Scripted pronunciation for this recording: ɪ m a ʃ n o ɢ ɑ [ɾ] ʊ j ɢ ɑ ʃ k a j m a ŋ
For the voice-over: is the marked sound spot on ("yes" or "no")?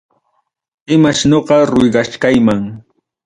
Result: yes